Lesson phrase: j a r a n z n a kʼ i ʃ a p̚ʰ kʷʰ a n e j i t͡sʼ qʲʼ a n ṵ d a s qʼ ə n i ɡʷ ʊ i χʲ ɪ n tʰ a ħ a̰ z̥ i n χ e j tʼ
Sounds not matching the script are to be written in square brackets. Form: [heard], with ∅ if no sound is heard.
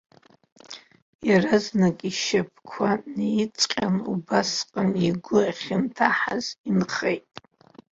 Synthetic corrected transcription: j a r a [∅] z n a kʼ i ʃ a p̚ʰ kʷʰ a n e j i t͡sʼ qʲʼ a n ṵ [b] a s qʼ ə n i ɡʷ ʊ [a] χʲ ɪ n tʰ a ħ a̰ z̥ i n χ e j tʼ

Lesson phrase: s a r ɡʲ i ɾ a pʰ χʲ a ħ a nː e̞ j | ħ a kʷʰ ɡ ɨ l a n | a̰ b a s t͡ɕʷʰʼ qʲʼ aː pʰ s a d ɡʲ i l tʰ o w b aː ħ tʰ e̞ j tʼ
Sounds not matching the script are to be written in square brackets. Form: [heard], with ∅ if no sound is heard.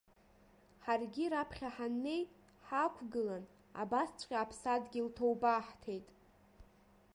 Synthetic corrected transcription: [ħ] a r ɡʲ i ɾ a pʰ χʲ a ħ a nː e̞ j | ħ a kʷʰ ɡ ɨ l a n | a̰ b a s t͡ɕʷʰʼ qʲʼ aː pʰ s a d ɡʲ i l tʰ o w b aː ħ tʰ e̞ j tʼ

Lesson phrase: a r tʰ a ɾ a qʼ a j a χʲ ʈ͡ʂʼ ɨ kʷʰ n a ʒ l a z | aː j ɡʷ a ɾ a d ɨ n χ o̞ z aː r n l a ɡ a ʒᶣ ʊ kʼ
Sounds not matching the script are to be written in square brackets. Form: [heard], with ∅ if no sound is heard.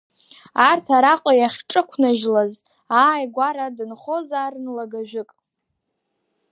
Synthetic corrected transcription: a r tʰ a ɾ a qʼ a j a χʲ ʈ͡ʂʼ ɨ kʷʰ n a ʒ l a z | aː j ɡʷ a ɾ a d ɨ n χ o̞ z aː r n l a ɡ a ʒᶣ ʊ kʼ

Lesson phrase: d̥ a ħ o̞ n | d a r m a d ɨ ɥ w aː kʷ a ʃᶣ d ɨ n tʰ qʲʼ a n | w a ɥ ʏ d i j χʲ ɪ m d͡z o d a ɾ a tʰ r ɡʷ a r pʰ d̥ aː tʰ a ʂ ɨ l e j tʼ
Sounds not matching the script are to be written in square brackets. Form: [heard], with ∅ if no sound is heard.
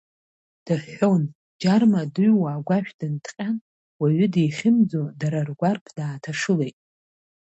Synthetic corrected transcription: d̥ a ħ o̞ n | [d͡ʒ] a r m a d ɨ ɥ w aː [ɡʷ] a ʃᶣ d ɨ n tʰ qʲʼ a n | w a ɥ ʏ d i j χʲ ɪ m d͡z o d a ɾ a [∅] r ɡʷ a r pʰ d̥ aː tʰ a ʂ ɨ l e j tʼ

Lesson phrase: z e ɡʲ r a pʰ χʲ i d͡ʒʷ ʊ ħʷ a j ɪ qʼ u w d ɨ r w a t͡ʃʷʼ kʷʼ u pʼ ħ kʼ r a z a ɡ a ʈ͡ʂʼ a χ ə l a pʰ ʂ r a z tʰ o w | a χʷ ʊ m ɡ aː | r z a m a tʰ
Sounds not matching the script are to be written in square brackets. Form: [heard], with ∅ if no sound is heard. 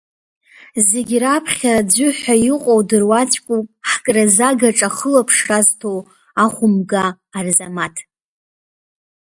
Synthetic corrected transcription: z e ɡʲ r a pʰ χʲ [a] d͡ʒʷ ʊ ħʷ a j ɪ qʼ [o] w d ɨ r w a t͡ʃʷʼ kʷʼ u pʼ ħ kʼ r a z a ɡ a ʈ͡ʂʼ a χ ə l a pʰ ʂ r a z tʰ o w | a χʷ ʊ m ɡ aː | r z a m a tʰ

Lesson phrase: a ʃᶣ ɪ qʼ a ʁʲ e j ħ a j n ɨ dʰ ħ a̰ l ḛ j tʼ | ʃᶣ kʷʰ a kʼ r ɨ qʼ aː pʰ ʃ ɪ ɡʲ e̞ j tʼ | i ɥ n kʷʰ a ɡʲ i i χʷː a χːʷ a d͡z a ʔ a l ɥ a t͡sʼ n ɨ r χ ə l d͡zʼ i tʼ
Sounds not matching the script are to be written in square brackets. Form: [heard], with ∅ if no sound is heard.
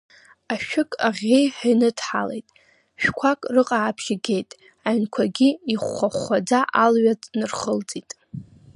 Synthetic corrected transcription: a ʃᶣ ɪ [kʼ] a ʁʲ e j ħ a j n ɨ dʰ ħ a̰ l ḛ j tʼ | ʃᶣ kʷʰ a kʼ r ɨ qʼ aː pʰ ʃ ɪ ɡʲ e̞ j tʼ | [a] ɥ n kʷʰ a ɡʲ i i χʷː a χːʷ a d͡z a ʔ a l ɥ a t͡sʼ n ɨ r χ ə l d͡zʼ i tʼ

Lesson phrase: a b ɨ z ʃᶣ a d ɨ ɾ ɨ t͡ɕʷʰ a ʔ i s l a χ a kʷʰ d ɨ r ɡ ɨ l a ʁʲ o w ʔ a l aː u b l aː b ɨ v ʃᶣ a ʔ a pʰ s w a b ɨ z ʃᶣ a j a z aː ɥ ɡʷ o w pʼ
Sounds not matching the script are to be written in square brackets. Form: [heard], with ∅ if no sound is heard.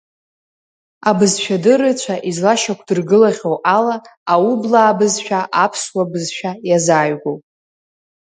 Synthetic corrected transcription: a b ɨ z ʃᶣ a d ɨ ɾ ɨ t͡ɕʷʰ a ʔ i [z] l a [ʃ] a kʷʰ d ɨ r ɡ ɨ l a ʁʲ o w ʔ a l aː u b l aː b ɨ [z] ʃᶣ a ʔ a pʰ s w a b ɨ z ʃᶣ a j a z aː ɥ ɡʷ o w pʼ

